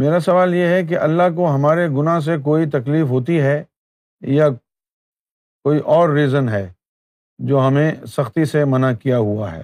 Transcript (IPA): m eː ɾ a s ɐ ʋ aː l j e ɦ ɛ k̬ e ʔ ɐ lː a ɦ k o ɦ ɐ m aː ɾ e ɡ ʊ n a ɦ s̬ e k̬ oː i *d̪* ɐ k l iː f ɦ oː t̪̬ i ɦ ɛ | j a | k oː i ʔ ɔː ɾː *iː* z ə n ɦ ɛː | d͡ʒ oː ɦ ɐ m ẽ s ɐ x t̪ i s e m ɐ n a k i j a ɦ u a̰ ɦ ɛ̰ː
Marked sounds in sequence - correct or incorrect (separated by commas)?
incorrect, correct